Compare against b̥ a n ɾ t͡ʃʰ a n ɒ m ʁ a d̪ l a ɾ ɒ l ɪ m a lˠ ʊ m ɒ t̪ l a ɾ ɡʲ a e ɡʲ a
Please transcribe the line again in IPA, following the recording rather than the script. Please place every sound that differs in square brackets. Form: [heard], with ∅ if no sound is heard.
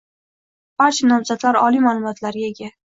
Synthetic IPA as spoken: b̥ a [∅] ɾ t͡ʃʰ a n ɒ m [z] a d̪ l a ɾ ɒ l [i] m a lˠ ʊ m ɒ t̪ l a ɾ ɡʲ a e ɡʲ a